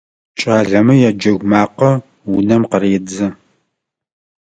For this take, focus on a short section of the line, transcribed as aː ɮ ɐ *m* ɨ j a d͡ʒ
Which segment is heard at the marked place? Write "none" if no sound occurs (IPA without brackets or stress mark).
m